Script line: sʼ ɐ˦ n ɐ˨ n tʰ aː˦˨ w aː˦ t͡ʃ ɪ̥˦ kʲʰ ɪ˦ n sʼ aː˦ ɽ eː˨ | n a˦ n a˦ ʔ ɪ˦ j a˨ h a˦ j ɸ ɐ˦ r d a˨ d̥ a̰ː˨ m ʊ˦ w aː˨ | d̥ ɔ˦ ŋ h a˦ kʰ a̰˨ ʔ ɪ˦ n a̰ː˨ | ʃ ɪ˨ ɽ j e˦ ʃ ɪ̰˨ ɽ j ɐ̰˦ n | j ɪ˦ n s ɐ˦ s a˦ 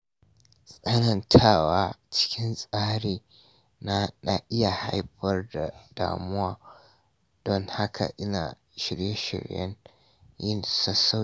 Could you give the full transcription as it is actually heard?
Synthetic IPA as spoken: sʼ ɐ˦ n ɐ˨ n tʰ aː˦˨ w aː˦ t͡ʃ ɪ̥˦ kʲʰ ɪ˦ n sʼ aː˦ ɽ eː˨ | n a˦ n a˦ ʔ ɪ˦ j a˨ h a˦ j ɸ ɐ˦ r d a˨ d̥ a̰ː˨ m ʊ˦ w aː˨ | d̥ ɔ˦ ŋ h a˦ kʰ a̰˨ ʔ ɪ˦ n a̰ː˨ | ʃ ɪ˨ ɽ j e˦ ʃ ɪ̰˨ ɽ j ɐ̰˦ n | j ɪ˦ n s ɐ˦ s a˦

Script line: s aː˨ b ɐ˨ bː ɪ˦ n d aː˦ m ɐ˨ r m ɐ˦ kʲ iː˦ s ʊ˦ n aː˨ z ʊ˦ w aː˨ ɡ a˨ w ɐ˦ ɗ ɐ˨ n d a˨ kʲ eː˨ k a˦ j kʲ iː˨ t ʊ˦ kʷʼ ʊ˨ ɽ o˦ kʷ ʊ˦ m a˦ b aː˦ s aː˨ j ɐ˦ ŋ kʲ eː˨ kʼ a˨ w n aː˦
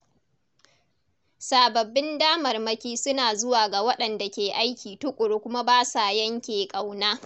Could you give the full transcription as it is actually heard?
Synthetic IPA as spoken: s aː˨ b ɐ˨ bː ɪ˦ n d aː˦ m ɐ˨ r m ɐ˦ kʲ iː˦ s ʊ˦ n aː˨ z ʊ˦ w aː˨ ɡ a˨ w ɐ˦ ɗ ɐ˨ n d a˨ kʲ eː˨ ʔ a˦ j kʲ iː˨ t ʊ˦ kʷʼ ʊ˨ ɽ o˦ kʷ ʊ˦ m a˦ b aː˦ s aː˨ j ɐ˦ ŋ kʲ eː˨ kʼ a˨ w n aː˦

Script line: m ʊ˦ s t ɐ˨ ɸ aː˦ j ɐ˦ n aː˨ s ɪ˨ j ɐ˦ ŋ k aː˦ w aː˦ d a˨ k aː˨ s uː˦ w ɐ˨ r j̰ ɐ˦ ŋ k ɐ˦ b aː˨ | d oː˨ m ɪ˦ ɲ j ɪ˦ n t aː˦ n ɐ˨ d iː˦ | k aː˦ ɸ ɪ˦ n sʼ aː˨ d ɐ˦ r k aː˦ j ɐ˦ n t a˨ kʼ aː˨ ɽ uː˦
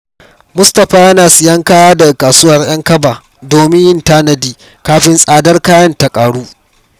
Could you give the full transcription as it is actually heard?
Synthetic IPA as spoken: m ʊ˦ s t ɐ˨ ɸ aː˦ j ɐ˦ n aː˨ s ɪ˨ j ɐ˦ ŋ k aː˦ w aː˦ d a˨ k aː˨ s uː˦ w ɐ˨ r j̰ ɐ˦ ŋ k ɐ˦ b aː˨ | d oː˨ m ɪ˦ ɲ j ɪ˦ n t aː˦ n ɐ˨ d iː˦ | k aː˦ ɸ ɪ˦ n sʼ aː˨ d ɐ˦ r k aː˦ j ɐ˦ n t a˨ kʼ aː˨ ɽ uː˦

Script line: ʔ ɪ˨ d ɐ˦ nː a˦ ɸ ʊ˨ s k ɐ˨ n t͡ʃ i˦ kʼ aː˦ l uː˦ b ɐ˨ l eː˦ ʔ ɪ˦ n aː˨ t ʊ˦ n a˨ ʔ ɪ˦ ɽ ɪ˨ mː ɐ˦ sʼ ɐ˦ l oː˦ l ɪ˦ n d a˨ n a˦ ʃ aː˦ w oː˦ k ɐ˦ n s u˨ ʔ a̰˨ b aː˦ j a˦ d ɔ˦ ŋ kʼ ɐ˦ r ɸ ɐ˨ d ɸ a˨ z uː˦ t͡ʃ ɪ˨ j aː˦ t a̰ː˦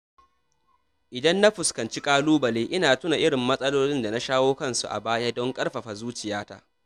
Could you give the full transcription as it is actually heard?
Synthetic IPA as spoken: ʔ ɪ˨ d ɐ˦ nː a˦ ɸ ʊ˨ s k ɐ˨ n t͡ʃ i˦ kʼ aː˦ l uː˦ b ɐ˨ l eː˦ ʔ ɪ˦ n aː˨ t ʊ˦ n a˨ ʔ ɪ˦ ɽ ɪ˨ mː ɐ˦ sʼ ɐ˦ l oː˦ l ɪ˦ n d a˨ n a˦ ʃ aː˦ w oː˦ k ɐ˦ n s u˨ ʔ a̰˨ b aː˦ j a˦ d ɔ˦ ŋ kʼ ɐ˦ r ɸ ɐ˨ ɸ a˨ z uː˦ t͡ʃ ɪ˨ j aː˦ t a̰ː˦

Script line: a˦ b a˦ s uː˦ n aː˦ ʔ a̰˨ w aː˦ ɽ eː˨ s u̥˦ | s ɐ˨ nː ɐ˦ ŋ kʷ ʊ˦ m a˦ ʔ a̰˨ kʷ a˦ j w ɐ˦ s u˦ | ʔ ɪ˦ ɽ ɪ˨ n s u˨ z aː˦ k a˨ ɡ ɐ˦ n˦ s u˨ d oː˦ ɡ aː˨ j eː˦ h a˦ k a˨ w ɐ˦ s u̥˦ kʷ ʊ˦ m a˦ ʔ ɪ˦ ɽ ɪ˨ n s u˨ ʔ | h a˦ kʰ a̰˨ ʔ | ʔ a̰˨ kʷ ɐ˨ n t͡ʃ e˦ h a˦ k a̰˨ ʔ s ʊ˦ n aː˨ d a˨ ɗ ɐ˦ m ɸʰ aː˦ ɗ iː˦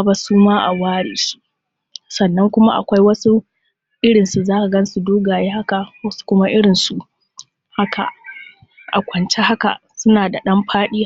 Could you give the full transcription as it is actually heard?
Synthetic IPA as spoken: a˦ b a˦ s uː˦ m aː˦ ʔ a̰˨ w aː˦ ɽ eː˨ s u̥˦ | s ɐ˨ nː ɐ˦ ŋ kʷ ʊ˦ m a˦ ʔ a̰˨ kʷ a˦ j w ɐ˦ s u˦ | ʔ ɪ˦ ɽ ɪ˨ n s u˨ z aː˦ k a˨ ɡ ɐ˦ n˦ s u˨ d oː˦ ɡ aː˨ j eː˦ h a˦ k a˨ w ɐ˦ s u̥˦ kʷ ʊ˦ m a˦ ʔ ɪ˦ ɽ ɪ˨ n s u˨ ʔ | h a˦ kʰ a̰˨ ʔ | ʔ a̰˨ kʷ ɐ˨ n t͡ʃ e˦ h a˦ k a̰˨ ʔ s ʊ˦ n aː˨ d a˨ ɗ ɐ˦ m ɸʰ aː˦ ɗ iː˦

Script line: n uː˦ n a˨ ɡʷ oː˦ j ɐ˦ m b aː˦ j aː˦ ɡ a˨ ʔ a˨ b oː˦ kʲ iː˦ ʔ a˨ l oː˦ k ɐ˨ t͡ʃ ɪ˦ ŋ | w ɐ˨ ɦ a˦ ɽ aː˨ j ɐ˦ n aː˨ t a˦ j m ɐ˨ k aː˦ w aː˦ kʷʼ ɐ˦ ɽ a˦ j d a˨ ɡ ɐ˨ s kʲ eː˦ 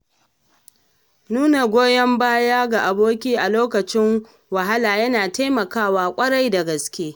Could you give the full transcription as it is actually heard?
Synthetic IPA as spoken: n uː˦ n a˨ ɡʷ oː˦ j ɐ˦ m b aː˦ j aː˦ ɡ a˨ ʔ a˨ b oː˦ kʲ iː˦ ʔ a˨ l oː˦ k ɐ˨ t͡ʃ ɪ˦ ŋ | w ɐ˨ ɦ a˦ l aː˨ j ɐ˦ n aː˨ t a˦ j m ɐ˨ k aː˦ w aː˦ kʷʼ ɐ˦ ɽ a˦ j d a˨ ɡ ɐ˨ s kʲ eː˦

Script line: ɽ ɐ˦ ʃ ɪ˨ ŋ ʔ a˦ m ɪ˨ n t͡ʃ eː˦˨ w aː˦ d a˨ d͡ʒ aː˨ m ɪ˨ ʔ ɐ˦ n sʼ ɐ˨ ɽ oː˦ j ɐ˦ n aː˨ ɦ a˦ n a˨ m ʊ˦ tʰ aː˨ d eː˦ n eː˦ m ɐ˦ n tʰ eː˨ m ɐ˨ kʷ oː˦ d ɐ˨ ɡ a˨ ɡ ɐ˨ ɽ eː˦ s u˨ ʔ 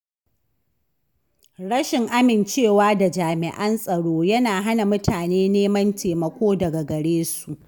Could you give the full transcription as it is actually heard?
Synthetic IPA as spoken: ɽ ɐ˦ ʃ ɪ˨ ŋ ʔ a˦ m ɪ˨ n t͡ʃ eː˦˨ w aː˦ d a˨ d͡ʒ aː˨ m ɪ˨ ʔ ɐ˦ n sʼ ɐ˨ ɽ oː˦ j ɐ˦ n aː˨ ɦ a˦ n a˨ m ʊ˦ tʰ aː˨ n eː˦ n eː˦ m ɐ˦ n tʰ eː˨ m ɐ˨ kʷ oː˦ d ɐ˨ ɡ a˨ ɡ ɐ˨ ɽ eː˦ s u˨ ʔ

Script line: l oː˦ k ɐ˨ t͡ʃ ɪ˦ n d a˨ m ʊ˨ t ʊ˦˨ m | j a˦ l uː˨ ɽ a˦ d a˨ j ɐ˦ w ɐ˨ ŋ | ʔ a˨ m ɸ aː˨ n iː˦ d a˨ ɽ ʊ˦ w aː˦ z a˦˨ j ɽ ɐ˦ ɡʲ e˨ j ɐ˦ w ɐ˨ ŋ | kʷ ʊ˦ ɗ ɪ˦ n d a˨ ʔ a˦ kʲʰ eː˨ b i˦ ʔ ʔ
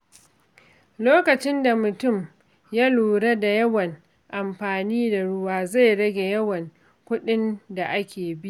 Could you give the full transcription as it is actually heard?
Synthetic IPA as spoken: l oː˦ k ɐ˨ t͡ʃ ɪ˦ n d a˨ m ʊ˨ t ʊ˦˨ m | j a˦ l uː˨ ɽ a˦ d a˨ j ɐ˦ w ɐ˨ ŋ | ʔ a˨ m ɸ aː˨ n iː˦ d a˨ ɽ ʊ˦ w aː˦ z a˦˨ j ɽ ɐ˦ ɡʲ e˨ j ɐ˦ w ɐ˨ ŋ | kʷ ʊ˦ ɗ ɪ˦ n d a˨ ʔ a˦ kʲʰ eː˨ b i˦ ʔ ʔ

